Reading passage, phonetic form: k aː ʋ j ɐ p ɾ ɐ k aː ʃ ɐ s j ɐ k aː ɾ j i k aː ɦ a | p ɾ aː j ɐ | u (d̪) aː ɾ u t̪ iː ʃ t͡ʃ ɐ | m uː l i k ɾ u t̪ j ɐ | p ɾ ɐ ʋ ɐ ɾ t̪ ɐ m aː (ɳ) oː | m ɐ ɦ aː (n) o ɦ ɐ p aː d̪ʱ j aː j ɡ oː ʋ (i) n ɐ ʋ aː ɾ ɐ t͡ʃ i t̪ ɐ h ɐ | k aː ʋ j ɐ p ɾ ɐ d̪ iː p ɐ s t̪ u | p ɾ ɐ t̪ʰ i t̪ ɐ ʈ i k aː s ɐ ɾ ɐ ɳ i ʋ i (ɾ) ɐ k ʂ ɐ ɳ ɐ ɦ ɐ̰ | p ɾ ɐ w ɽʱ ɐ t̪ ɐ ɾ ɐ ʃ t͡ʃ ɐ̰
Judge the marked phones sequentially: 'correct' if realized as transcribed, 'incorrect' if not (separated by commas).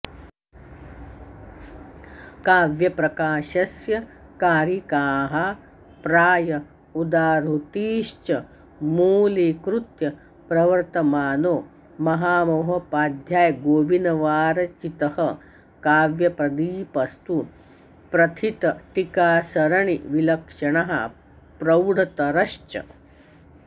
correct, incorrect, incorrect, correct, incorrect